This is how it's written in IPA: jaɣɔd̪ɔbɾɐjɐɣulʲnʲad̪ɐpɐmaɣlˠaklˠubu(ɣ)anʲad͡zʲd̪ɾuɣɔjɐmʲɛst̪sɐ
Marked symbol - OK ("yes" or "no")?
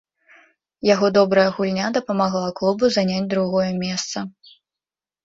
no